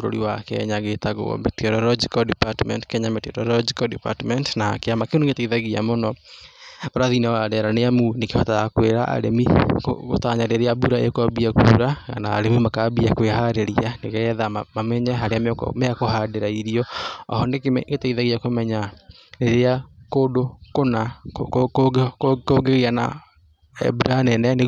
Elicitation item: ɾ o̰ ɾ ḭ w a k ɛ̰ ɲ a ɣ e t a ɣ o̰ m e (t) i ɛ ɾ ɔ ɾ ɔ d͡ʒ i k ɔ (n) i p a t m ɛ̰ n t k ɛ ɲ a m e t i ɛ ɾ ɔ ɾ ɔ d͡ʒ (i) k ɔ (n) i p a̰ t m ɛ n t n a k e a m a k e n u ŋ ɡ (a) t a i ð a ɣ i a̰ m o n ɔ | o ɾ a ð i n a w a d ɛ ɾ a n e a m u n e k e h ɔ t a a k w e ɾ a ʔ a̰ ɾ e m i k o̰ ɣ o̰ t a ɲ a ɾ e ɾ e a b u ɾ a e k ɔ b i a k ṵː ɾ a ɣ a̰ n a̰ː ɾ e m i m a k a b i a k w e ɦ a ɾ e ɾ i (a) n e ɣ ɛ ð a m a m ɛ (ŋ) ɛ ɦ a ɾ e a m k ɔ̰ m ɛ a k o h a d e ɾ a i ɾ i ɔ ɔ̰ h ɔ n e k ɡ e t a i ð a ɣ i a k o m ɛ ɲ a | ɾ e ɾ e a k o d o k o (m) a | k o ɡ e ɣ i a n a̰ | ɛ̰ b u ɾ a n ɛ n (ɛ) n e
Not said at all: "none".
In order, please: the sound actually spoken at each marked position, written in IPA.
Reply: t, d, i, d, e, a, ɲ, n, ɛ

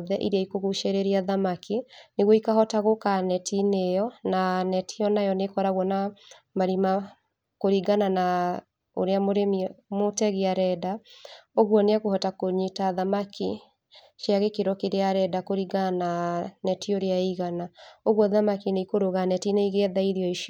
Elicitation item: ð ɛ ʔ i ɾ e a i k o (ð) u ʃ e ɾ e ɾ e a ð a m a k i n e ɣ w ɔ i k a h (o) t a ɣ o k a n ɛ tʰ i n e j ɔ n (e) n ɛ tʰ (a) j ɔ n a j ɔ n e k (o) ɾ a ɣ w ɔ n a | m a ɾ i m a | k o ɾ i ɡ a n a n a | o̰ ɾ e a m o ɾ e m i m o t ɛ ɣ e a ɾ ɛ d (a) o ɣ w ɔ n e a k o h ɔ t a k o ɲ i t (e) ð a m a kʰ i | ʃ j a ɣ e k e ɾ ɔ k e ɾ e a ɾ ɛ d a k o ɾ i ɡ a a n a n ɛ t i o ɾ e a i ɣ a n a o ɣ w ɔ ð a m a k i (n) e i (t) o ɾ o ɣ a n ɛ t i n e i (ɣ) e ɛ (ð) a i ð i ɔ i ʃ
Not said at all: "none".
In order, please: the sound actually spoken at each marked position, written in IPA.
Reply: ɣ, ɔ, a, i, ɔ, a, a, n, k, ɣ, ð

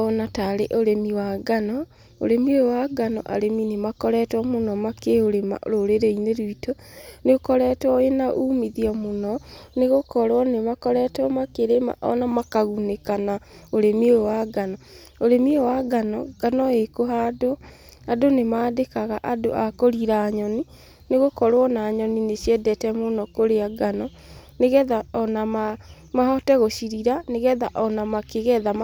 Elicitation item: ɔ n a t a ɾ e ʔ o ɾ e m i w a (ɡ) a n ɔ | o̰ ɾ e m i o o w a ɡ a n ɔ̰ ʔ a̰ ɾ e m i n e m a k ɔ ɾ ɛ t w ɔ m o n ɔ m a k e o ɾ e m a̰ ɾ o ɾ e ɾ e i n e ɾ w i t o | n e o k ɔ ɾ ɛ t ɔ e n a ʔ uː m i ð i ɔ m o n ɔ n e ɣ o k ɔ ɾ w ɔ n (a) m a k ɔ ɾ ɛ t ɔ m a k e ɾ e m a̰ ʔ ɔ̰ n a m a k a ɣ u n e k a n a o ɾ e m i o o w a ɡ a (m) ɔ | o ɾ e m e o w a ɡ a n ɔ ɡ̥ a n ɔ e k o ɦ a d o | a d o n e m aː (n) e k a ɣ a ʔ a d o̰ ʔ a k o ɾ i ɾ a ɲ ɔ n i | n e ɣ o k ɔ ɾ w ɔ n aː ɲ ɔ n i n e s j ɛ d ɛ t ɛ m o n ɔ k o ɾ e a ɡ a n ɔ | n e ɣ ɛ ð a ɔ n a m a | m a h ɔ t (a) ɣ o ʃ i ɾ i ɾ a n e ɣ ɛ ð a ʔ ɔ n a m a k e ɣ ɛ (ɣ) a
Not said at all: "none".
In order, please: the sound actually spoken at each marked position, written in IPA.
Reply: ɡ, e, n, d, ɛ, ð

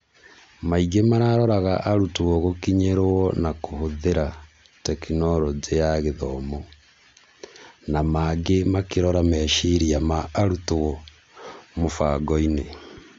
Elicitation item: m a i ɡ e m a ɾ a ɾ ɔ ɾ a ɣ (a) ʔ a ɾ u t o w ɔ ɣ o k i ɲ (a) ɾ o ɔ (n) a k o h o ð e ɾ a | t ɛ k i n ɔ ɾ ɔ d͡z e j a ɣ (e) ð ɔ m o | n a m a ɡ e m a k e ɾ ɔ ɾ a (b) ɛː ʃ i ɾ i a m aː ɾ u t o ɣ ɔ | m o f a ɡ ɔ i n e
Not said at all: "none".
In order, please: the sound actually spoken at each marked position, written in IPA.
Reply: a, e, n, e, m

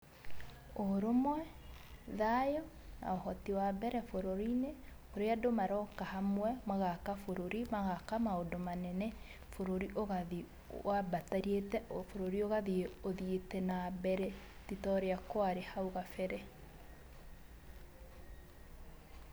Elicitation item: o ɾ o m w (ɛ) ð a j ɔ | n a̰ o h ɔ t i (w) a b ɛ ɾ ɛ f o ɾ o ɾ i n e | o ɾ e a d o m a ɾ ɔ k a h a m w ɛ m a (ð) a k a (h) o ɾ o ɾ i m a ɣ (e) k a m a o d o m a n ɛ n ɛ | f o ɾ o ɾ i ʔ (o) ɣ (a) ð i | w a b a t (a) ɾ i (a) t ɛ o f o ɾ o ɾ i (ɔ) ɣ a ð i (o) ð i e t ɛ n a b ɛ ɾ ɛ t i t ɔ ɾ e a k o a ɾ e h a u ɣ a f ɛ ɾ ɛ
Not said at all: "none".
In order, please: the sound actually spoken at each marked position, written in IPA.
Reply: ɛ, w, ɣ, f, a, o, a, a, e, o, o

